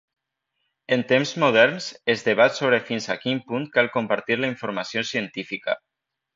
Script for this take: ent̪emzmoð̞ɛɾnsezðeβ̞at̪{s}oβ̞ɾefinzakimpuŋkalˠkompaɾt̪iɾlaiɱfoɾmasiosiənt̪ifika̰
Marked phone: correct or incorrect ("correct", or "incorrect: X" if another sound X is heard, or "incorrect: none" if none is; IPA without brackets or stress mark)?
correct